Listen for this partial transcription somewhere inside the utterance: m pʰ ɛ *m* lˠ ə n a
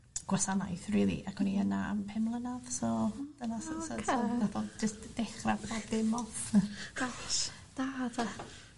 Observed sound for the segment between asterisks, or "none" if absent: m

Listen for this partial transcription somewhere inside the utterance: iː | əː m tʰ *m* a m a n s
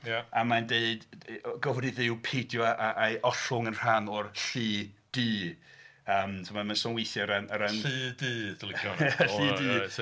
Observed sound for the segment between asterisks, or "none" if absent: m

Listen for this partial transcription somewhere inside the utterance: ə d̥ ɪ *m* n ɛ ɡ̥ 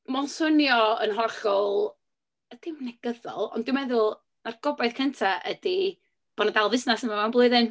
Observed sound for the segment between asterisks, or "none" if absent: m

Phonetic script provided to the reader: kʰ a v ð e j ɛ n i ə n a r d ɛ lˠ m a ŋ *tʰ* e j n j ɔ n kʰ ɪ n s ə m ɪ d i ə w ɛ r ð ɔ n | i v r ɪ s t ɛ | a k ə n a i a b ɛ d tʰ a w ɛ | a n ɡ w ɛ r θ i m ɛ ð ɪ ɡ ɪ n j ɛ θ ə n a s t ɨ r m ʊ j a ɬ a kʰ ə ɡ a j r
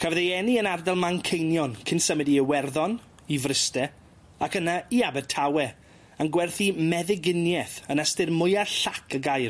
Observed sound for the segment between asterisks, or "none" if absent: kʰ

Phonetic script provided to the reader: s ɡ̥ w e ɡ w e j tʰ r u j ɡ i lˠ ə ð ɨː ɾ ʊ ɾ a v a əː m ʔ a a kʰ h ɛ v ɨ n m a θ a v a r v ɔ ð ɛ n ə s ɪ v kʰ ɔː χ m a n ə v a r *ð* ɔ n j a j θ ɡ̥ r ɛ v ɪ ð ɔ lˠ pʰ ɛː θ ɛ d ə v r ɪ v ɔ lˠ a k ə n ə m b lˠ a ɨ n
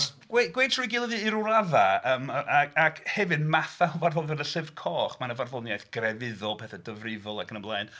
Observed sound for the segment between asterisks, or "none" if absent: v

